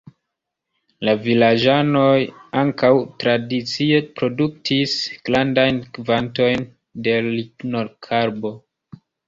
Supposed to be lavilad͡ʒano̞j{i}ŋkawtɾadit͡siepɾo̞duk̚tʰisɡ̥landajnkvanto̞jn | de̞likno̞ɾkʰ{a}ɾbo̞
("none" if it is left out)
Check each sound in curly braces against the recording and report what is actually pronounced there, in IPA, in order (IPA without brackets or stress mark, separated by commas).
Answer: a, a